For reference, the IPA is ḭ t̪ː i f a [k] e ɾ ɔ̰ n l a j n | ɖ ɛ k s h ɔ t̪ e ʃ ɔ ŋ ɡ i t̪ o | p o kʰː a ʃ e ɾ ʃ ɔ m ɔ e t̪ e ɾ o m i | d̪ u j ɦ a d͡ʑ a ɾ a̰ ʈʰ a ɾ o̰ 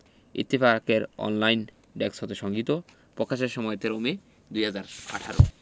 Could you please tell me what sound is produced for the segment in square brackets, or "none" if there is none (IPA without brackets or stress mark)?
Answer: k